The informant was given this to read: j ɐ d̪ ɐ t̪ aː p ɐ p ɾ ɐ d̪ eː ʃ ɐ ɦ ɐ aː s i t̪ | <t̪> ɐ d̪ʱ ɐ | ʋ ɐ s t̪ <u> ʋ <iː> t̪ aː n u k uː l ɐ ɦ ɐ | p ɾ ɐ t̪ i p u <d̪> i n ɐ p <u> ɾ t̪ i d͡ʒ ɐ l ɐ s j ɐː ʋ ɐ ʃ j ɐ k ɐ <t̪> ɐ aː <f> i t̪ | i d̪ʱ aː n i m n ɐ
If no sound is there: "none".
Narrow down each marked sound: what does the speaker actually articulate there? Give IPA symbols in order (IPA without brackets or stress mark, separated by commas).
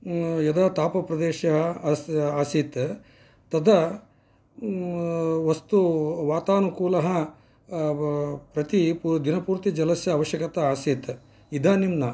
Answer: t̪, u, aː, d̪, uː, t̪, s